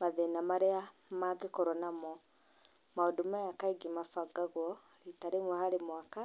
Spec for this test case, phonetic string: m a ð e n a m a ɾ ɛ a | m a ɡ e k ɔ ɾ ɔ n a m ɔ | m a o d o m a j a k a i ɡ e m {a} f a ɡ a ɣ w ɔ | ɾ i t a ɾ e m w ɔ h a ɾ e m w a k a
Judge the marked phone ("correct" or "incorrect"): correct